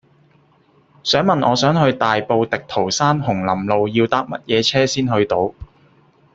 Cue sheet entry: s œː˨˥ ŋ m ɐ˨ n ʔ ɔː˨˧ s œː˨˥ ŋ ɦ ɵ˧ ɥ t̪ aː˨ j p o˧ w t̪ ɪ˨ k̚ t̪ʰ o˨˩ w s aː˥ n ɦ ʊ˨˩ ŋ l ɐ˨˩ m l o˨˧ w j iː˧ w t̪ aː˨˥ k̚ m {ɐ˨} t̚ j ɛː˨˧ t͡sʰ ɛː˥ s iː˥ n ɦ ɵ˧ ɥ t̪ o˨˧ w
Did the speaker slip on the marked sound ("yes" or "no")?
yes